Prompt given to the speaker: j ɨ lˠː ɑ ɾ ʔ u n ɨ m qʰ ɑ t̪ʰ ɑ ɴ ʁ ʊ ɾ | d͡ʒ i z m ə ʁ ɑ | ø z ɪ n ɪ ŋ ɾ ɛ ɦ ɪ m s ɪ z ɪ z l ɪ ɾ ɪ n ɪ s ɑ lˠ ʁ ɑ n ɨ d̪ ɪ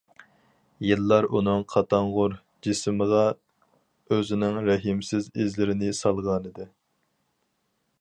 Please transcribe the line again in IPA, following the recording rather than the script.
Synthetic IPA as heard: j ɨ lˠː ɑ ɾ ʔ u n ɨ ŋ qʰ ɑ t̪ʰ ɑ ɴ ʁ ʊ ɾ | d͡ʒ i s m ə ʁ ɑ | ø z ɪ n ɪ ŋ ɾ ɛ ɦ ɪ m s ɪ z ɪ z l ɪ ɾ ɪ n ɪ s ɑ lˠ ʁ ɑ n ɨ d̪ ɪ

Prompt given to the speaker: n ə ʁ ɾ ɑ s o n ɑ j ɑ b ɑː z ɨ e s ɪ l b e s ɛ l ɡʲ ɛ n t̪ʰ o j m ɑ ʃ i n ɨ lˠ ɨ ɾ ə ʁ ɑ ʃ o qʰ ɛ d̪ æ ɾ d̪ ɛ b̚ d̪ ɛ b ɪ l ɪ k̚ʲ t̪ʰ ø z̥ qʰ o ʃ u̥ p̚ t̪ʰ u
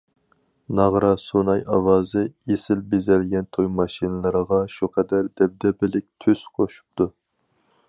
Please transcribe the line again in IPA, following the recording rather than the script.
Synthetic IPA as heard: n ɑ ʁ ɾ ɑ s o n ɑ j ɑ w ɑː z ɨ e s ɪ l b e z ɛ l ɡʲ ɛ n t̪ʰ o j m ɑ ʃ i n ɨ lˠ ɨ ɾ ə ʁ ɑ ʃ u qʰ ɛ d̪ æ ɾ d̪ ɛ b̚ d̪ ɛ b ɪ l ɪ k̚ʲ t̪ʰ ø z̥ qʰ o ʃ u̥ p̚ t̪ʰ u

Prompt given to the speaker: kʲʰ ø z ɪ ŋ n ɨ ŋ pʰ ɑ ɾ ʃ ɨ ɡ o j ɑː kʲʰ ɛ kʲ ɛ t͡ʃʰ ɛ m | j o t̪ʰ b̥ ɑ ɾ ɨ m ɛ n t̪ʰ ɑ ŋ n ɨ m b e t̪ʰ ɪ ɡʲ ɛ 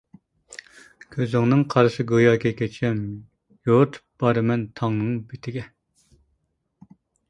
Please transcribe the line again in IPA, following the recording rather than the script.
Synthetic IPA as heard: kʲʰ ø z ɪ ŋ n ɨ ŋ qʰ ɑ ɾ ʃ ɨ ɡ o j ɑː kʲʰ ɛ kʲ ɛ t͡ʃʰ ɛ m | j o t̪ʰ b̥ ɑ ɾ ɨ m ɛ n t̪ʰ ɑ ŋ n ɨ ŋ b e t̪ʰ ɪ ɡʲ ɛ

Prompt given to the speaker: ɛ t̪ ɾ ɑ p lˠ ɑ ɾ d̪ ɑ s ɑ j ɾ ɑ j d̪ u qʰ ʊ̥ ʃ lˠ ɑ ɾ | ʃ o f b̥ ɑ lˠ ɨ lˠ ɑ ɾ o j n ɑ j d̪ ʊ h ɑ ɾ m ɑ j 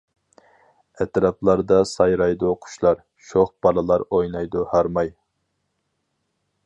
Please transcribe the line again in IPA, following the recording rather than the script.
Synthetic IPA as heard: ɛ t̪ ɾ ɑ p lˠ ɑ ɾ d̪ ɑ s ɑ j ɾ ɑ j d̪ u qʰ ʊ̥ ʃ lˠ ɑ ɾ | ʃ o χ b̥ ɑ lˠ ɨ lˠ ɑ ɾ o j n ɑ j d̪ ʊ h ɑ ɾ m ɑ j

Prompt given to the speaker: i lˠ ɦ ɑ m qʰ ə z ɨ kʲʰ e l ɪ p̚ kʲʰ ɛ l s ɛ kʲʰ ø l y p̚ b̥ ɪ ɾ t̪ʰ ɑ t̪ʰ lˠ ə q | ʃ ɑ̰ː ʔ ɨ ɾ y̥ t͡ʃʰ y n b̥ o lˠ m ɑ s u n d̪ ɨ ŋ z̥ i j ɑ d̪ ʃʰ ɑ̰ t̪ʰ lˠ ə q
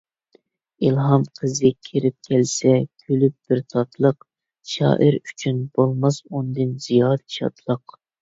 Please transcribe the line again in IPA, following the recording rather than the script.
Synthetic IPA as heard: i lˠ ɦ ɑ m qʰ ə z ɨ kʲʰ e ɾ ɪ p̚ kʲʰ ɛ l s ɛ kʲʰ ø l y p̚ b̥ ɪ ɾ t̪ʰ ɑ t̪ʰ lˠ ə q | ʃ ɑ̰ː ʔ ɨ ɾ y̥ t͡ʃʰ y n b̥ o lˠ m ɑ s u n d̪ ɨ n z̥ i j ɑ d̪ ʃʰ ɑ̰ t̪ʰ lˠ ə q

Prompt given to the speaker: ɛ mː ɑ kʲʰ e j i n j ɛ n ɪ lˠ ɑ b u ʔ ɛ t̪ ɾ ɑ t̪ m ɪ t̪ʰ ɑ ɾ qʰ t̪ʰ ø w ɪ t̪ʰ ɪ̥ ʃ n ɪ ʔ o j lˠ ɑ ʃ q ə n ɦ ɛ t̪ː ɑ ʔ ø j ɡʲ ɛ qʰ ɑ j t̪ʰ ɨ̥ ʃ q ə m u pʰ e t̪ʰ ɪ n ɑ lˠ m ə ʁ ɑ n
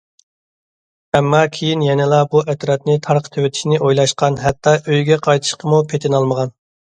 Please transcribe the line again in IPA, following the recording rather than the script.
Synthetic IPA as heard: ɛ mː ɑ kʲʰ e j i n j ɛ n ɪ lˠ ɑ b u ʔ ɛ t̪ ɾ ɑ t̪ n ɪ t̪ʰ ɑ ɾ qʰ t̪ʰ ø w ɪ t̪ʰ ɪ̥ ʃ n ɪ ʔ o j lˠ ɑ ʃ q ɑ n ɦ ɛ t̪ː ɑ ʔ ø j ɡʲ ɛ qʰ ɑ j t̪ʰ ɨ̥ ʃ q ə m u pʰ e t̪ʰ ɪ n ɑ lˠ m ə ʁ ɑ n

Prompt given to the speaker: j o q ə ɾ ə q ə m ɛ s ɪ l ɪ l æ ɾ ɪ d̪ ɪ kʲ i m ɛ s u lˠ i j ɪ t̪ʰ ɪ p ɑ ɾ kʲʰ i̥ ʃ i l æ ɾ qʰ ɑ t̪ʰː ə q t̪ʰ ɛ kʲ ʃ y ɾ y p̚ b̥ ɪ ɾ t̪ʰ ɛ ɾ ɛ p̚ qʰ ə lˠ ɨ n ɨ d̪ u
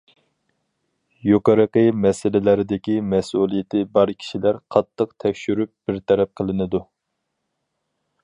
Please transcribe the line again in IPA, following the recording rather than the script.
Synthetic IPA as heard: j o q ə ɾ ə q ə m ɛ s ɪ l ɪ l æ ɾ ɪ d̪ ɪ kʲ i m ɛ s u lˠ i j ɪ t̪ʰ ɪ b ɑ ɾ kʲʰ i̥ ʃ i l æ ɾ qʰ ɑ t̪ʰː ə q t̪ʰ ɛ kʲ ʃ y ɾ y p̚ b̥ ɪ ɾ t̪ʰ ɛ ɾ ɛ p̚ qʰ ə lˠ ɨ n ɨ d̪ u

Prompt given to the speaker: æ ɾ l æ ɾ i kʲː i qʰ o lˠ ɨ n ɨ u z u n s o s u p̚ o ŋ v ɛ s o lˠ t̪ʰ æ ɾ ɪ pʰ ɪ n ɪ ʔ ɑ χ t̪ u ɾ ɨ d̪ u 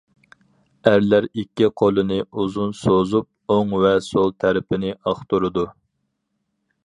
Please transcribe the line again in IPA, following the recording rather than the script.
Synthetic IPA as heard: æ ɾ l æ ɾ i kʲː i qʰ o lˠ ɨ n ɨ u z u n s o z u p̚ o ŋ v ɛ s o lˠ t̪ʰ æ ɾ ɪ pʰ ɪ n ɪ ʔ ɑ χ t̪ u ɾ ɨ d̪ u

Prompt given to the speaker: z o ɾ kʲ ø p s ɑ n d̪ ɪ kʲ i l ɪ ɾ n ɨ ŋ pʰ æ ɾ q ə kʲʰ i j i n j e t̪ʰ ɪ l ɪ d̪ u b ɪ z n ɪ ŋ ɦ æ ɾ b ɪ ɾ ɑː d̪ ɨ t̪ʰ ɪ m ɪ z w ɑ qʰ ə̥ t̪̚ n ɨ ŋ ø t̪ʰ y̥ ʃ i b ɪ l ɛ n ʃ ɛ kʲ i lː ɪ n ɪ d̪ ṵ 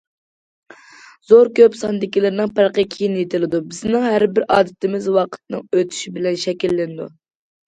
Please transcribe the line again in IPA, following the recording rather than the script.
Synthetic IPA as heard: z o ɾ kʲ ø p s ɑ n d̪ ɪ kʲ i l ɪ ɾ n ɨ ŋ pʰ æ ɾ q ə kʲʰ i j i n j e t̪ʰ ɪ l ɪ d̪ u b ɪ z n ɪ ŋ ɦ æ ɾ b ɪ ɾ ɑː d̪ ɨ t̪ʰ ɪ m ɪ z w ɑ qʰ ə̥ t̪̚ n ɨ ŋ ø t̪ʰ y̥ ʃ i b ɪ l ɛ n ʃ ɛ kʲ i lː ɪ n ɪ d̪ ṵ

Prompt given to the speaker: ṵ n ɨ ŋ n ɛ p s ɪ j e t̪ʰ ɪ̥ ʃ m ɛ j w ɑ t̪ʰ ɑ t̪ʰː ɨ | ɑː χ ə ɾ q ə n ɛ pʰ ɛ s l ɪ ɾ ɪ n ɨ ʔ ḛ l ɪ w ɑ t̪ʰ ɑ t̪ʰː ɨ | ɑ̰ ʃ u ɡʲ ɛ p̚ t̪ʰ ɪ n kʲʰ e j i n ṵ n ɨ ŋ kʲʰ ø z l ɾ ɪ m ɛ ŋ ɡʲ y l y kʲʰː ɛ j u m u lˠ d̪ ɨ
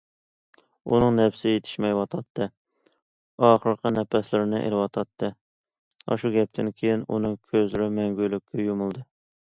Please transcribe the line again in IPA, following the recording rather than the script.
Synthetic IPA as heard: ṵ n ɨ ŋ n ɛ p s ɪ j e t̪ʰ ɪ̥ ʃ m ɛ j w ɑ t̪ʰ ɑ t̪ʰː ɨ | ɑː χ ə ɾ q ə n ɛ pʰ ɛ s l ɪ ɾ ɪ n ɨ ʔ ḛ l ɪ w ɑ t̪ʰ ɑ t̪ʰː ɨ | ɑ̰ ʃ u ɡʲ ɛ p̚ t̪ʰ ɪ n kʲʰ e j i n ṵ n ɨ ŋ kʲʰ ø z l ɾ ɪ m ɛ ŋ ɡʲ y l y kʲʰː ɛ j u m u lˠ d̪ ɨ

